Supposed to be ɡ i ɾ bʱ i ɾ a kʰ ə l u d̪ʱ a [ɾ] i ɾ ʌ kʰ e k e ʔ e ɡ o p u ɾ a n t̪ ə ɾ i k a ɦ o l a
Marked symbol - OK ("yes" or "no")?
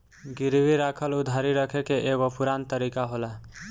yes